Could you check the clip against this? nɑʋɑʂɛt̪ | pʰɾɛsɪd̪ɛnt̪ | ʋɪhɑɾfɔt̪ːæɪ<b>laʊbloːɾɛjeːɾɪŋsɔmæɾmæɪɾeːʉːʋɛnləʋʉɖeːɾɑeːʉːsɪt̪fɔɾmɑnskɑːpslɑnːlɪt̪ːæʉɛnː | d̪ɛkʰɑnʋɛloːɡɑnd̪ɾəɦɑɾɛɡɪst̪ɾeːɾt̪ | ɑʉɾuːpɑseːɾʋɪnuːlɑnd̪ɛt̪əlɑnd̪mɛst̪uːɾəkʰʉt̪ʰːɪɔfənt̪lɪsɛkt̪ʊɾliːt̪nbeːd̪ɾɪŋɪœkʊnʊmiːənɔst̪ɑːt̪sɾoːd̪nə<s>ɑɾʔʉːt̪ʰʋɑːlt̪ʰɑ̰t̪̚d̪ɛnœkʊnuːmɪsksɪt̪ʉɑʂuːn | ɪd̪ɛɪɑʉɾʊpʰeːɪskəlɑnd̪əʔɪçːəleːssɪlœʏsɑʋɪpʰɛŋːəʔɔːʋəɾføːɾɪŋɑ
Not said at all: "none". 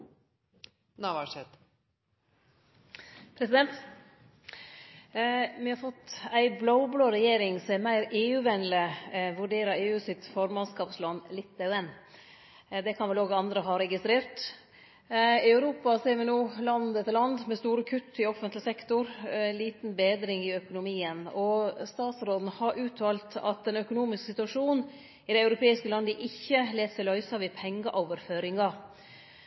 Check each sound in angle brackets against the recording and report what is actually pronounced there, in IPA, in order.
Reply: b, h

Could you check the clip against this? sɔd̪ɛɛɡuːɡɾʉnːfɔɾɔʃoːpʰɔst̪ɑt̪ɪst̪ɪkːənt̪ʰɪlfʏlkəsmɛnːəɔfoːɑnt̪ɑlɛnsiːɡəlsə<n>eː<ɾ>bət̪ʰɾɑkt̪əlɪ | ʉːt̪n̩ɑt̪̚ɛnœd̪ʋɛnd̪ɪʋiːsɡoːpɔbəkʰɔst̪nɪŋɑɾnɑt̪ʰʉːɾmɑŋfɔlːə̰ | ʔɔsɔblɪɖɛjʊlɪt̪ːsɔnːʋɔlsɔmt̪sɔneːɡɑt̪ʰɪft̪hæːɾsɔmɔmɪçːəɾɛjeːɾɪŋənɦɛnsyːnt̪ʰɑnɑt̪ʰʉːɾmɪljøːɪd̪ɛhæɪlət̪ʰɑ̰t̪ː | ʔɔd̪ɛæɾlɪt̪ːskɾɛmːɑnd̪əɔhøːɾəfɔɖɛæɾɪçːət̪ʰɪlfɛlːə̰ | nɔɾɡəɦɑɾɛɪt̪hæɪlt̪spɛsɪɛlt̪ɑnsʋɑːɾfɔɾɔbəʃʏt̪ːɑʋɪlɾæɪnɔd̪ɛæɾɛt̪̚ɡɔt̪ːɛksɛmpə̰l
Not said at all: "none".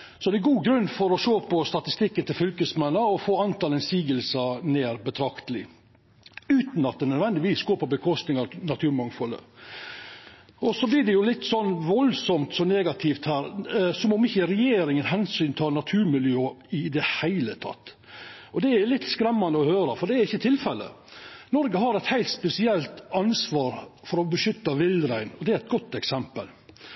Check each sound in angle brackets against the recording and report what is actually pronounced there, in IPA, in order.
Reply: n, ɾ

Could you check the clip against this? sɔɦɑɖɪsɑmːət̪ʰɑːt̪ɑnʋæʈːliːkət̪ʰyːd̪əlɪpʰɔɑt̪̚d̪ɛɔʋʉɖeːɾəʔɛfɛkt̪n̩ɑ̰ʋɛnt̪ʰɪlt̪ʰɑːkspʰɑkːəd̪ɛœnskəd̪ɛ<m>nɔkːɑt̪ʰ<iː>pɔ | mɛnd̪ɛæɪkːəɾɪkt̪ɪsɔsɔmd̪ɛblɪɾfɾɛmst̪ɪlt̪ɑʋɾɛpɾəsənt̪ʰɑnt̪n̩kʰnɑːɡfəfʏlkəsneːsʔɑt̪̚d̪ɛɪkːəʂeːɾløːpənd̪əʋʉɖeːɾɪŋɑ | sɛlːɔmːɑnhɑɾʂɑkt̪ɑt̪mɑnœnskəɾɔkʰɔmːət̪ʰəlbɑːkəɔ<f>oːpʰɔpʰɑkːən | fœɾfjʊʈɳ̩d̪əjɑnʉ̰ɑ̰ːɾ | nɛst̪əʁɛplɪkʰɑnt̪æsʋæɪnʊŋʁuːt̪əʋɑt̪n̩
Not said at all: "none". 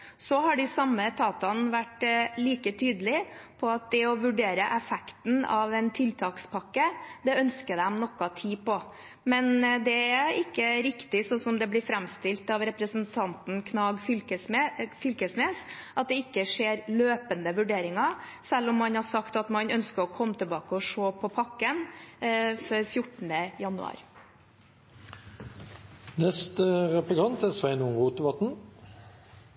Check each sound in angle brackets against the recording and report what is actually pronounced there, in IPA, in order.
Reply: m, iː, ʂ

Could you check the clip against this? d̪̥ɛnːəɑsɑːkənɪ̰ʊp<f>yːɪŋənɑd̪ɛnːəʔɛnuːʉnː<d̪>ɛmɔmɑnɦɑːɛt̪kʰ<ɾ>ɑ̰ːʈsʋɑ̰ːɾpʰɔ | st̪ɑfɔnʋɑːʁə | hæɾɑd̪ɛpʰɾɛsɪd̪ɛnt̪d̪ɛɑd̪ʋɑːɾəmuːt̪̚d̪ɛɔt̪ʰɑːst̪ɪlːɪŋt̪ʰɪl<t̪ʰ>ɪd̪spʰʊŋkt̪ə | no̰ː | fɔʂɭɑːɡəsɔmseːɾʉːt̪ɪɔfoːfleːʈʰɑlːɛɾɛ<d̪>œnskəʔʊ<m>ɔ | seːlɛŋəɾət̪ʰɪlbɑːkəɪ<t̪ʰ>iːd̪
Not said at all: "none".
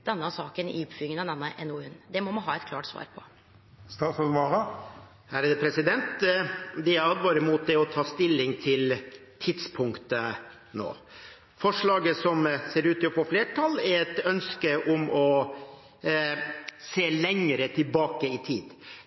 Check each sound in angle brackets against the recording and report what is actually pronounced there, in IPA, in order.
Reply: f, d̪, l, t̪ʰ, t̪, m, t̪ʰ

